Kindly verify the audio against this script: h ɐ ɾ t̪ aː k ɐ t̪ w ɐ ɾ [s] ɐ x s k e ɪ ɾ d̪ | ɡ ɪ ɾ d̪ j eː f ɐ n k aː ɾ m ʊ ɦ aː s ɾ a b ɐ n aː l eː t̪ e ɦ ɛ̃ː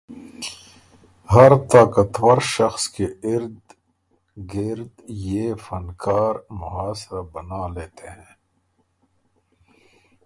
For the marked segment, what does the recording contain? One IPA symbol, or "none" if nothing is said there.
ʃ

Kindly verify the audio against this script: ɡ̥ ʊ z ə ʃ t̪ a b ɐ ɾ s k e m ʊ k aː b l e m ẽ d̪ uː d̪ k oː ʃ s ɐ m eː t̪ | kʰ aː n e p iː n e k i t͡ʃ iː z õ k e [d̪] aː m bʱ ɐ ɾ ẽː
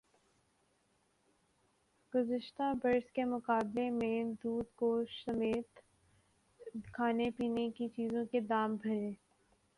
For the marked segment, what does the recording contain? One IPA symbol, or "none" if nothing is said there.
d̪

